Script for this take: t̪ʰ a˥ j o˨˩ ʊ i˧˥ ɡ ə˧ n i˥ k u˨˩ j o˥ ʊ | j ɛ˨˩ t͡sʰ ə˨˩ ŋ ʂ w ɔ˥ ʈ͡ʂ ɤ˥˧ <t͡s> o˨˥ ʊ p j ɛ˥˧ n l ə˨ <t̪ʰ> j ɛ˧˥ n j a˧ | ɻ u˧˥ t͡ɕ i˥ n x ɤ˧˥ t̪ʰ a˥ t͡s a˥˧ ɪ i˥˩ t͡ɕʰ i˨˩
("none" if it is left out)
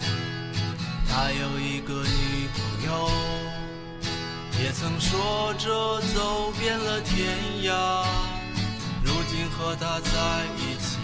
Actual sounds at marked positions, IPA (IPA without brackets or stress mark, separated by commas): t͡s, t̪ʰ